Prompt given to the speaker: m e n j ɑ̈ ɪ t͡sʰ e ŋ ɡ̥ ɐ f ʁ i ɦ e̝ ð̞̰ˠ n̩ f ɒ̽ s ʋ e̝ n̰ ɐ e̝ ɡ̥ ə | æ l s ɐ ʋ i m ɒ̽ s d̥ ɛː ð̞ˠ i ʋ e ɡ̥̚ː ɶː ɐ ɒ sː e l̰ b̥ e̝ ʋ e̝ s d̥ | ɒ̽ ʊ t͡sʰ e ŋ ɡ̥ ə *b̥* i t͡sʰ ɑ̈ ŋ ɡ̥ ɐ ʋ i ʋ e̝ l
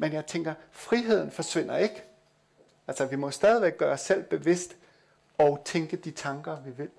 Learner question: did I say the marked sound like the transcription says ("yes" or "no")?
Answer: no